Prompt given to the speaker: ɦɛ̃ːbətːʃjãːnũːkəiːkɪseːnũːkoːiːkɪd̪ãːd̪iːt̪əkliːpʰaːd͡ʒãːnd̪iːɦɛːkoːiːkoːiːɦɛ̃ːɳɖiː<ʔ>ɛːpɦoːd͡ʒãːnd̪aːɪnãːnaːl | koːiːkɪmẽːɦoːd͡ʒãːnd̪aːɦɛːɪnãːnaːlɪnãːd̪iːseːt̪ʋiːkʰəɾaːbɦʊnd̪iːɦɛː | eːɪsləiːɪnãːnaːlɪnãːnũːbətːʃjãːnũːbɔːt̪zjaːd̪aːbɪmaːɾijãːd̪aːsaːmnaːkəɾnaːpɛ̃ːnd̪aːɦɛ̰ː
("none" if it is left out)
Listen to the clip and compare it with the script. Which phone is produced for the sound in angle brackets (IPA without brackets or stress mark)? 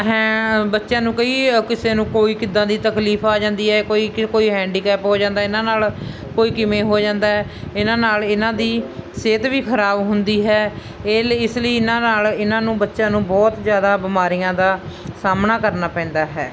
k